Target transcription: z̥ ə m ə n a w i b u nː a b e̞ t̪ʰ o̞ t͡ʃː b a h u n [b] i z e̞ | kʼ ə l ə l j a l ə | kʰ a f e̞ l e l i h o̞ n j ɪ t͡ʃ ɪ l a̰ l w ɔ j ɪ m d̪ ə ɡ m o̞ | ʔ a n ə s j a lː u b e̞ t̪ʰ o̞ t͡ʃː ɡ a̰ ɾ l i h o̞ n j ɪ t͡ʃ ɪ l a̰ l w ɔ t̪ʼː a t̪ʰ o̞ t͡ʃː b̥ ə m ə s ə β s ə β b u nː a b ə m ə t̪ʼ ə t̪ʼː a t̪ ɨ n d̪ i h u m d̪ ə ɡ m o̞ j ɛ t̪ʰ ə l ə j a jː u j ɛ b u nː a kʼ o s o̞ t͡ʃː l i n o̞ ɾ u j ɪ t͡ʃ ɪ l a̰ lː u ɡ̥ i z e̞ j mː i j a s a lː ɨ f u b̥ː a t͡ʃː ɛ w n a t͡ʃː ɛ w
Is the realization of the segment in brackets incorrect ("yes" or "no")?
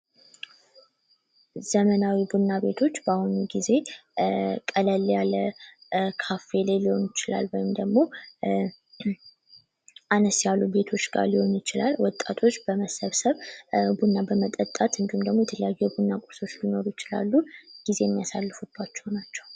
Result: yes